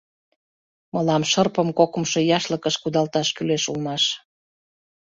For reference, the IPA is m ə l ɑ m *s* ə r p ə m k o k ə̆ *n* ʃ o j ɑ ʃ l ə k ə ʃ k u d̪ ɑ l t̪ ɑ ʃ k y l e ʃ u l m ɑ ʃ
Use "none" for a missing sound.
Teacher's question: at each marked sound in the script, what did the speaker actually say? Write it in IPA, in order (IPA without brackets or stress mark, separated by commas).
ʃ, m